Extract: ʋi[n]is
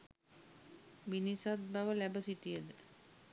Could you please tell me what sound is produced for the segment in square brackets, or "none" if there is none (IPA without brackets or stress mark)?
n